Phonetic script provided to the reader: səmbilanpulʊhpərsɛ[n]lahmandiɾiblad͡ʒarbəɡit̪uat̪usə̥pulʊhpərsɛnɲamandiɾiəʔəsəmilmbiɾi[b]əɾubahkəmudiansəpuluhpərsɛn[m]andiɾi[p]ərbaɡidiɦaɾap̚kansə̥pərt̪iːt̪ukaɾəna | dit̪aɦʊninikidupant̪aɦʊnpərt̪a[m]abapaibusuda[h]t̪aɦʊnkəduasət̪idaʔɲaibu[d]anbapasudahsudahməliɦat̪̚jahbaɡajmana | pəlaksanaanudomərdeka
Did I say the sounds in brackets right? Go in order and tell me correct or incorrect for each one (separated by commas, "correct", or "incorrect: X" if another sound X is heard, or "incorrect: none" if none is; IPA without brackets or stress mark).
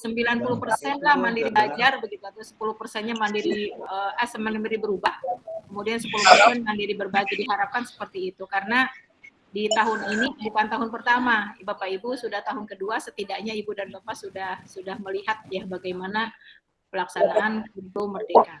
correct, correct, correct, incorrect: b, correct, correct, correct